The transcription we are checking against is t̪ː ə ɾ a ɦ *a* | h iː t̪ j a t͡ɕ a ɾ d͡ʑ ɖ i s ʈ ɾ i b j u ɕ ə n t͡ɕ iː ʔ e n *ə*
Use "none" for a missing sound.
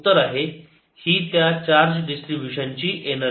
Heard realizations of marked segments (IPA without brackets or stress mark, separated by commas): e, ə